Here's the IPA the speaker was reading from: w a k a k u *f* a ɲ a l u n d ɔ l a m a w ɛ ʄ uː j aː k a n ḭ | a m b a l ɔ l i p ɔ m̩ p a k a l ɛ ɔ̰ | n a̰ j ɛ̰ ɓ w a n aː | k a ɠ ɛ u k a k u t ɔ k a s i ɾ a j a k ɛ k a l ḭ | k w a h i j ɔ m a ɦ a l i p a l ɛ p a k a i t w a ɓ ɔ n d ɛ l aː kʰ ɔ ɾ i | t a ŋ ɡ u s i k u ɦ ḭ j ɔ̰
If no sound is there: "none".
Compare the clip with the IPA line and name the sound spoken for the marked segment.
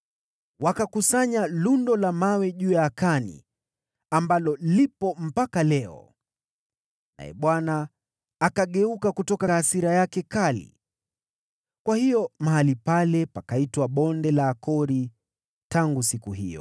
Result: s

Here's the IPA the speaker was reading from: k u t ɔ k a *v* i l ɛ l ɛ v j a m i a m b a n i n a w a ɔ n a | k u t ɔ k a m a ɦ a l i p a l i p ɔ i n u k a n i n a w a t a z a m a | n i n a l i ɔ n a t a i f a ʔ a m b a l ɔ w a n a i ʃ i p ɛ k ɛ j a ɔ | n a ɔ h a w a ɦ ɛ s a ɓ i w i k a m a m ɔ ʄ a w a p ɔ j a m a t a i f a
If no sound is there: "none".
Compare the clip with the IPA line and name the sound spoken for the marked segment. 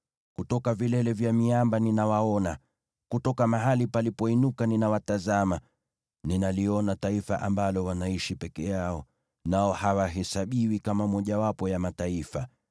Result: v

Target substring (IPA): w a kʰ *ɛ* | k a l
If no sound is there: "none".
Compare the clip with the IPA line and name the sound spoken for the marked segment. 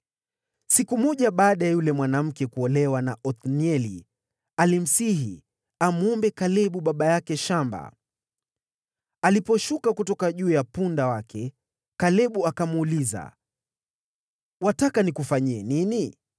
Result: ɛ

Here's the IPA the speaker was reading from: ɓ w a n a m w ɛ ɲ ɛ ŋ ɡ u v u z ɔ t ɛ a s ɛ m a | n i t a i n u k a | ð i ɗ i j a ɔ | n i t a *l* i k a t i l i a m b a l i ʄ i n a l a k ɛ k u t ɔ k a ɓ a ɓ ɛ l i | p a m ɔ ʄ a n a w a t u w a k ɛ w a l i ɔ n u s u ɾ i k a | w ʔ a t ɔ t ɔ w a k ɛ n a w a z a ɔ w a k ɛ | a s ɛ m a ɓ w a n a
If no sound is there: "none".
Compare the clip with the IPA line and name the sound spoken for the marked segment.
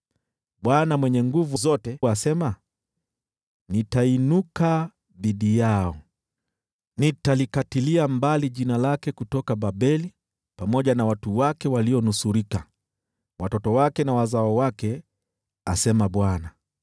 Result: l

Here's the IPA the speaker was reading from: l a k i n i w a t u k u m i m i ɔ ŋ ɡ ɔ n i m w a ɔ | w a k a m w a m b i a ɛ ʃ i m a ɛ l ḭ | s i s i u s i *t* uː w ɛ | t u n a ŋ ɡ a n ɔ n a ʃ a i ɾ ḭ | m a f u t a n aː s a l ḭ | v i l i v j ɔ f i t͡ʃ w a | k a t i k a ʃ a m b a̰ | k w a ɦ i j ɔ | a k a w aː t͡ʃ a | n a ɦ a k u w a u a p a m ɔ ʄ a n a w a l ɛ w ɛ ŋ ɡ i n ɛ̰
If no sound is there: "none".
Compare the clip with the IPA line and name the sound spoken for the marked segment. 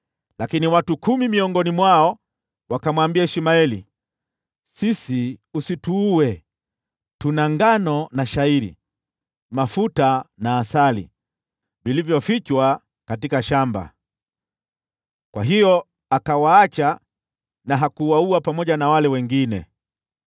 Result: t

